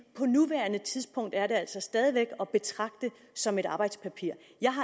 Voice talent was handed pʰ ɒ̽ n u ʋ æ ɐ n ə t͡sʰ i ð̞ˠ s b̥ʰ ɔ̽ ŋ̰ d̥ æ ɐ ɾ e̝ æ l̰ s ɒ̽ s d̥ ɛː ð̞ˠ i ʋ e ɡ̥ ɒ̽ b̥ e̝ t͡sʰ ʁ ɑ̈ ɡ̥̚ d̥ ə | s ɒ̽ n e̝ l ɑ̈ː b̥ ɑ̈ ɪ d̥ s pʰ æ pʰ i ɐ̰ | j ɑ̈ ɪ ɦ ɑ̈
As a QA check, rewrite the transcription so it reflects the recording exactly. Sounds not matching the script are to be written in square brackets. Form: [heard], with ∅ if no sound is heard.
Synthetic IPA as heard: pʰ ɒ̽ n u ʋ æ ɐ n ə t͡sʰ i ð̞ˠ s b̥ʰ ɔ̽ ŋ̰ d̥ æ ɐ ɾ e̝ æ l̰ s ɒ̽ s d̥ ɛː ð̞ˠ i ʋ e ɡ̥ ɒ̽ b̥ e̝ t͡sʰ ʁ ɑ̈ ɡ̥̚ d̥ ə | s ɒ̽ [m] e̝ [ɾ] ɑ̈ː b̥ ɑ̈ ɪ d̥ s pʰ æ pʰ i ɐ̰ | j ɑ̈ ɪ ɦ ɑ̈

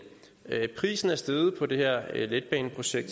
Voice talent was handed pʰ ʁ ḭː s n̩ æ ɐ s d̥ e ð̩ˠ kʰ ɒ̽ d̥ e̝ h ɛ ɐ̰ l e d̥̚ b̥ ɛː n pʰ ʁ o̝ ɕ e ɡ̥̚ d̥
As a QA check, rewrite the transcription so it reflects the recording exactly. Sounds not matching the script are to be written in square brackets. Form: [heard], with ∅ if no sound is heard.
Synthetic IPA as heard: pʰ ʁ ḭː s n̩ æ ɐ s d̥ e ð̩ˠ [pʰ] ɒ̽ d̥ e̝ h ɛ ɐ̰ l e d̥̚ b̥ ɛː n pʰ ʁ o̝ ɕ e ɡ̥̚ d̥

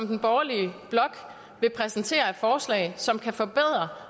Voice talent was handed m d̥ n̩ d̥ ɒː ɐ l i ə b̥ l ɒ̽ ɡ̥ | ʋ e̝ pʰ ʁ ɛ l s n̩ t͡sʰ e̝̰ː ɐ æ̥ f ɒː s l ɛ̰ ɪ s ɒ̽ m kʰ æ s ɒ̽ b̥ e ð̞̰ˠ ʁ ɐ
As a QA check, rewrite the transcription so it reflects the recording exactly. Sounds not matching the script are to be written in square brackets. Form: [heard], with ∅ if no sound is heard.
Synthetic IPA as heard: m d̥ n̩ [b̥] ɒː ɐ l i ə b̥ l ɒ̽ ɡ̥ | ʋ e̝ pʰ ʁ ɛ [∅] s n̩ t͡sʰ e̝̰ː ɐ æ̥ f ɒː s l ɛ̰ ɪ s ɒ̽ m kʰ æ [f] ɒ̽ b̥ e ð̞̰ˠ ʁ ɐ

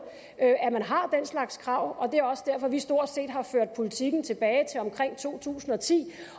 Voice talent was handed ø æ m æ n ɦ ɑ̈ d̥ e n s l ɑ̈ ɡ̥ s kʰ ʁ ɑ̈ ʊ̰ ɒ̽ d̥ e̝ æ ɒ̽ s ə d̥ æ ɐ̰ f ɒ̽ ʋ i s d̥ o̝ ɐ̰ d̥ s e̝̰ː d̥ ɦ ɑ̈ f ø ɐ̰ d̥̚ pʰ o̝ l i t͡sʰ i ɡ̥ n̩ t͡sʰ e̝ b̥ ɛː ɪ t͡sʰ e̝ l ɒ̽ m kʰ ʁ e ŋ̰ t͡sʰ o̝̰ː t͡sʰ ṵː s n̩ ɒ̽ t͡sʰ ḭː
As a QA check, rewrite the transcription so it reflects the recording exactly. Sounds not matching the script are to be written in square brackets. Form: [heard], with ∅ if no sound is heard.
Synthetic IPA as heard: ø æ m æ n ɦ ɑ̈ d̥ e n s l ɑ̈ ɡ̥ s kʰ ʁ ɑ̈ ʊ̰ ɒ̽ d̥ e̝ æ ɒ̽ s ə d̥ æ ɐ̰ f ɒ̽ ʋ i s d̥ o̝ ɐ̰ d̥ s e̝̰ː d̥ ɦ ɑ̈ f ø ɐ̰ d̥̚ pʰ o̝ l i t͡sʰ i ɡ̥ n̩ t͡sʰ e̝ b̥ ɛː ɪ t͡sʰ e̝ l ɒ̽ m kʰ ʁ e ŋ̰ t͡sʰ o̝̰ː t͡sʰ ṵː s n̩ ɒ̽ t͡sʰ ḭː

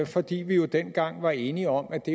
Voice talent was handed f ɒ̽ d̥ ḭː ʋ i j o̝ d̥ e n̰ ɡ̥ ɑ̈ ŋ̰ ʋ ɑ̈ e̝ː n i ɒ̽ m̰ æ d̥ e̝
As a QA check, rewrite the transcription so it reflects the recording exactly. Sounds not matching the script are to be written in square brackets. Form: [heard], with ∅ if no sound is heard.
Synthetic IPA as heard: f ɒ̽ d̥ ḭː ʋ i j o̝ d̥ e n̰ ɡ̥ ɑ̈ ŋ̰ ʋ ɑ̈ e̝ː n i ɒ̽ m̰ æ d̥ e̝

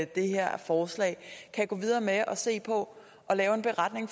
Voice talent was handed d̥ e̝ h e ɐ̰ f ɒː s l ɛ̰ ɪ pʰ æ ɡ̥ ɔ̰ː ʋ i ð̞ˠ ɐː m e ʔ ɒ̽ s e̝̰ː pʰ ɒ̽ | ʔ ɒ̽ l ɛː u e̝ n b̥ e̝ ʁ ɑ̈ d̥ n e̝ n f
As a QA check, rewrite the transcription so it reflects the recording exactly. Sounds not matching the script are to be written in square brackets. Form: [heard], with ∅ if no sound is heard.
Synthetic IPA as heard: d̥ e̝ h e ɐ̰ f ɒː s l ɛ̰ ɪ [kʰ] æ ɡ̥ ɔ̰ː ʋ i ð̞ˠ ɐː m e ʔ ɒ̽ s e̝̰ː pʰ ɒ̽ | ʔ ɒ̽ l ɛː [ʊ] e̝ n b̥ e̝ ʁ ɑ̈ d̥ n e̝ [ŋ] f

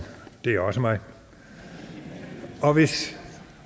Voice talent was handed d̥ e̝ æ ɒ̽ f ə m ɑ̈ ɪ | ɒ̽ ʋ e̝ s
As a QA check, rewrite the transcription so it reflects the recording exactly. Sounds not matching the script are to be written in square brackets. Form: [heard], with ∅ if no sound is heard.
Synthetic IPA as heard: d̥ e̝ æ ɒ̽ [s] ə m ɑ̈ ɪ | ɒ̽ ʋ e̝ s

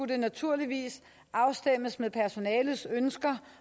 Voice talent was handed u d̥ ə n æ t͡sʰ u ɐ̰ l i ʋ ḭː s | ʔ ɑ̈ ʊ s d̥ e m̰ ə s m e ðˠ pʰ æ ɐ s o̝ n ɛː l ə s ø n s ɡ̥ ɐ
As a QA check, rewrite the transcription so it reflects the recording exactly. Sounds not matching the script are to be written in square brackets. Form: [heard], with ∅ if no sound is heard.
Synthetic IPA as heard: u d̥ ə n æ t͡sʰ u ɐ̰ l i ʋ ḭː s | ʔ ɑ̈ ʊ s d̥ e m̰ ə s m e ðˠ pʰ æ ɐ s o̝ n ɛː l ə s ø n s ɡ̥ ɐ

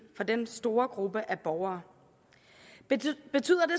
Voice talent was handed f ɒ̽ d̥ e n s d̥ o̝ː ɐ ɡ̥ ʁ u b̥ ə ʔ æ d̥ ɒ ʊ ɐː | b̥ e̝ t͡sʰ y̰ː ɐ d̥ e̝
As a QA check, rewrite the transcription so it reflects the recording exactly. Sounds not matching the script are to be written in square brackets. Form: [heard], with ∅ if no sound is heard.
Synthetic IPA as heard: f ɒ̽ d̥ e n s d̥ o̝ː ɐ ɡ̥ ʁ u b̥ ə ʔ æ [b̥] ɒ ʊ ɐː | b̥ e̝ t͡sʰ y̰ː ɐ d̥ e̝

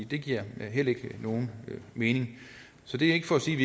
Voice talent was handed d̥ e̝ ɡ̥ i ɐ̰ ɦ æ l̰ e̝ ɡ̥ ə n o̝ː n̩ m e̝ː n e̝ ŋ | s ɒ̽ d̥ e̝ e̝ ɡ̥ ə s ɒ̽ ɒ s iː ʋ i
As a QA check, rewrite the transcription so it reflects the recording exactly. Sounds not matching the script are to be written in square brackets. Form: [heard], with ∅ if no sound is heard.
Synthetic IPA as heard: d̥ e̝ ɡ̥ i ɐ̰ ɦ [e] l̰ e̝ ɡ̥ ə n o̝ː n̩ m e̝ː n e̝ ŋ | s ɒ̽ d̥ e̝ e̝ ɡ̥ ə [f] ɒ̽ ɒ s iː ʋ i

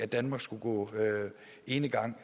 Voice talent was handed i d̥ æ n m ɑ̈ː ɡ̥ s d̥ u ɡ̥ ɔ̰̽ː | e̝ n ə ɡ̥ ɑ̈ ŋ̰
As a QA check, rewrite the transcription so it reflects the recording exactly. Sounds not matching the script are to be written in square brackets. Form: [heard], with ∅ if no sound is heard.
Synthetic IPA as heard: [æ] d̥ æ n m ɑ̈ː ɡ̥ s [ɡ̥] u ɡ̥ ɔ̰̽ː | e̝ n ə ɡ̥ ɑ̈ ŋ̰

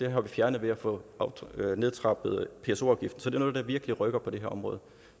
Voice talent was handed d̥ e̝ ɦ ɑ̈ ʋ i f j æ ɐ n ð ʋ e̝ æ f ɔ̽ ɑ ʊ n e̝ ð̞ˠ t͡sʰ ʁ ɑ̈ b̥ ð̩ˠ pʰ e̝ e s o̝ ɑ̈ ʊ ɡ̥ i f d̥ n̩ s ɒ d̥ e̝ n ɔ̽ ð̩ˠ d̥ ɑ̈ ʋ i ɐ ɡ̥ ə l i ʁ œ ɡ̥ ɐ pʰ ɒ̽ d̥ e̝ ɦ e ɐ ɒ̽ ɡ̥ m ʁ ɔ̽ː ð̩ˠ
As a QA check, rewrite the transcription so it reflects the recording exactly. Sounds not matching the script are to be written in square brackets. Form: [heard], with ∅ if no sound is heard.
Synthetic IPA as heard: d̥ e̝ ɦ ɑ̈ ʋ i f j æ ɐ n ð ʋ e̝ æ f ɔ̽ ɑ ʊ n e̝ ð̞ˠ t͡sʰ ʁ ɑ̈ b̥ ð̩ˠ pʰ e̝ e s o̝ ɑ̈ ʊ ɡ̥ i f d̥ n̩ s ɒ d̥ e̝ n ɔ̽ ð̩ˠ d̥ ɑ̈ ʋ i ɐ ɡ̥ ə l i ʁ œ ɡ̥ ɐ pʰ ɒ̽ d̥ e̝ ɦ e ɐ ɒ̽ [∅] m ʁ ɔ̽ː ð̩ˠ

